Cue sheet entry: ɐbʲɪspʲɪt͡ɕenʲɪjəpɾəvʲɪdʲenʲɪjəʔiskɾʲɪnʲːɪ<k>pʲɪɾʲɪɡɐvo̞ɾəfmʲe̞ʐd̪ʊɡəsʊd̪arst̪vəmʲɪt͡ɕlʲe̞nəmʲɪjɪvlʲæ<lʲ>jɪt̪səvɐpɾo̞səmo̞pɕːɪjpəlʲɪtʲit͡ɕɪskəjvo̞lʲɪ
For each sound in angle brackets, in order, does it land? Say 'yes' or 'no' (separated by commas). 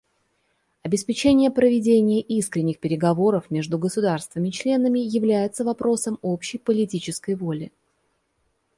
no, no